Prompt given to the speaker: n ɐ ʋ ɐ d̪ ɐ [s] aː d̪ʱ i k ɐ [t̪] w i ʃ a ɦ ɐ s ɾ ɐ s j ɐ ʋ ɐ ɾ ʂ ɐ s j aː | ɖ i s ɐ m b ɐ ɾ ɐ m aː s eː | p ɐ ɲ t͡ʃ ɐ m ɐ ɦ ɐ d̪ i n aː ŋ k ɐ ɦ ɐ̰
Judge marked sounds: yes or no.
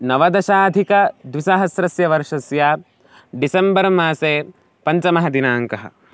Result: no, no

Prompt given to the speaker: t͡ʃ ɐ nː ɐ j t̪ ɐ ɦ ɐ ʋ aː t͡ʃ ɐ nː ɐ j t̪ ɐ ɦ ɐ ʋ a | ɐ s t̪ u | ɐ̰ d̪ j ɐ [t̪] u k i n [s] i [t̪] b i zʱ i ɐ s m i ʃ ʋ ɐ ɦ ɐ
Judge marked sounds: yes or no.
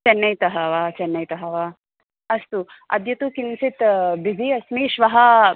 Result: yes, yes, yes

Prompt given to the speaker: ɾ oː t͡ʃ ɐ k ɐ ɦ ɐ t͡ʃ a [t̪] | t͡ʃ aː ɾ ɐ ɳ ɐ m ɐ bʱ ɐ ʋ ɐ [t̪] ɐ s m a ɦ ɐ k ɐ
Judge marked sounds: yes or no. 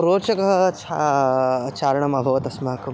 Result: no, yes

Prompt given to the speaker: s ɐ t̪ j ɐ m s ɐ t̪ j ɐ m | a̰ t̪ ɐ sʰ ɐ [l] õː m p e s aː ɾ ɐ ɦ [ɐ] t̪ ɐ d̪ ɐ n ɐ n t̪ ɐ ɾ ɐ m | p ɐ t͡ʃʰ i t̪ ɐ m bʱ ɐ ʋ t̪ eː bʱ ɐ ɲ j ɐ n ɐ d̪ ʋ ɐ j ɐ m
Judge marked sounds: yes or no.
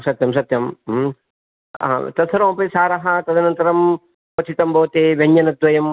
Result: no, yes

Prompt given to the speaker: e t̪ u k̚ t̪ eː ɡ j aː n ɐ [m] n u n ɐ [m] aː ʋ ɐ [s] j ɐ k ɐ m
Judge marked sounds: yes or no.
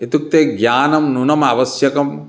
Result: yes, yes, yes

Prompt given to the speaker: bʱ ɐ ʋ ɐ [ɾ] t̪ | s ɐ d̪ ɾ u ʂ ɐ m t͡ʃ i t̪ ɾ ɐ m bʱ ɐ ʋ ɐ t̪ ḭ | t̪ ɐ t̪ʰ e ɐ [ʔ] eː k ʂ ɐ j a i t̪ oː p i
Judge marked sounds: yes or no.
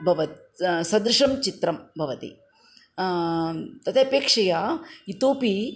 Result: no, no

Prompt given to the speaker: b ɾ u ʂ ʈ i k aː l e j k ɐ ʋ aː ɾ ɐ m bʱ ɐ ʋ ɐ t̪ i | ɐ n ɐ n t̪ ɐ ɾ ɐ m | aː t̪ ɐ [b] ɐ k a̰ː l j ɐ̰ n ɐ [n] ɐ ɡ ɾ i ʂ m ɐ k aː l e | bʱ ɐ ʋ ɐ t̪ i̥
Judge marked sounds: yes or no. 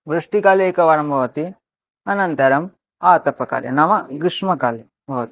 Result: no, no

